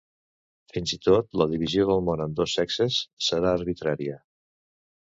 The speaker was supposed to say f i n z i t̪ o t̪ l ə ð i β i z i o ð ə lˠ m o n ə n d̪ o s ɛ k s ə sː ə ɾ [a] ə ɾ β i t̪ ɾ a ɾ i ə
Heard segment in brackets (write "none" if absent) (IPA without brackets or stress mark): a